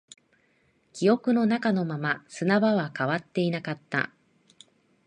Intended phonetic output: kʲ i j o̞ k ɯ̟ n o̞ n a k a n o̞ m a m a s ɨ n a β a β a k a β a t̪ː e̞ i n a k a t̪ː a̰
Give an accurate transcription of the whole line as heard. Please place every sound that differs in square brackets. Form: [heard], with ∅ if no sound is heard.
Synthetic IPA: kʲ i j o̞ k ɯ̟ n o̞ n a k a n o̞ m a m a s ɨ n a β a β a k a β a t̪ː e̞ i n a k a t̪ː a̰